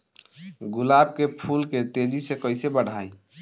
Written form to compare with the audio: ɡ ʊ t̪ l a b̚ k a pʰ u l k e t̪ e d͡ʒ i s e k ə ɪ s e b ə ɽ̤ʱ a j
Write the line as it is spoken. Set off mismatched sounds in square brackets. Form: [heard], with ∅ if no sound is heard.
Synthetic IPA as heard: ɡ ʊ [∅] l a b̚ k [e] pʰ u l k e t̪ e d͡ʒ i s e k ə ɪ s e b ə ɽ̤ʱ a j